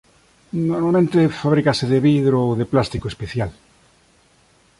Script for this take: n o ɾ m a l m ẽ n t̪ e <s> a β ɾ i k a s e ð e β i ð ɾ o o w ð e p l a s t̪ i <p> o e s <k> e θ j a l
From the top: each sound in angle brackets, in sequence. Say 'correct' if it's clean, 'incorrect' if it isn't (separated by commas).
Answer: incorrect, incorrect, incorrect